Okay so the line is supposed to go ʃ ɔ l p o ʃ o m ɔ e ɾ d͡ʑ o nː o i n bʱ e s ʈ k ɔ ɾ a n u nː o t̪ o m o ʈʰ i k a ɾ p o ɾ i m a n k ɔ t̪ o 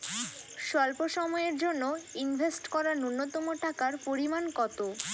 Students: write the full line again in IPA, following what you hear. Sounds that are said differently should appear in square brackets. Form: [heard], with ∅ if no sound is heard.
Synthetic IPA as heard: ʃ ɔ l p o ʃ [ɔ] m ɔ e ɾ d͡ʑ o nː o i n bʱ e s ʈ k ɔ ɾ a n u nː o t̪ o m o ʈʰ [a] k a ɾ p o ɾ i m a n k ɔ t̪ o